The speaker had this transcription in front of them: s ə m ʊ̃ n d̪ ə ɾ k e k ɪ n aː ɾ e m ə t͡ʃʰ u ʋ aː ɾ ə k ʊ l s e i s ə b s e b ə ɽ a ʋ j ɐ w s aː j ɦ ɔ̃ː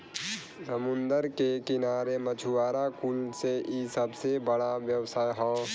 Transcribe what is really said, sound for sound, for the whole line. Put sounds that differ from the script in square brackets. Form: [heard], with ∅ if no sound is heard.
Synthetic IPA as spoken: s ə m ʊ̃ n d̪ ə ɾ k e k ɪ n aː ɾ e m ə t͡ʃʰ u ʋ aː ɾ [a] k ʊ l s e i s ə b s e b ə ɽ a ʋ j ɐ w s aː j ɦ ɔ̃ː